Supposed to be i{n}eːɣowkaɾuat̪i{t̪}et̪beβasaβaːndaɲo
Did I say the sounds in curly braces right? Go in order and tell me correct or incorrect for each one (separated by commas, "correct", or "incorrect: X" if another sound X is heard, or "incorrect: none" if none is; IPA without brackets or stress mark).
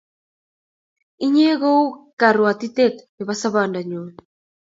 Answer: incorrect: ɲ, correct